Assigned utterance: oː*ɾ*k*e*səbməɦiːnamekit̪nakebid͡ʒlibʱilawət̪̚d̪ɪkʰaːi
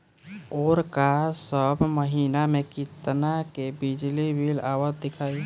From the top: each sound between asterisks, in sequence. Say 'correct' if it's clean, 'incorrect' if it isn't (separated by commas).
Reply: correct, incorrect